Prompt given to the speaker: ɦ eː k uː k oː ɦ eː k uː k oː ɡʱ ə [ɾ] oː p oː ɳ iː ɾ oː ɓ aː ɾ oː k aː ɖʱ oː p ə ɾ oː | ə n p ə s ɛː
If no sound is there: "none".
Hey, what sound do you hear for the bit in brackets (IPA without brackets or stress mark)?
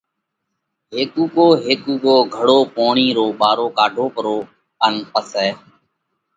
ɽ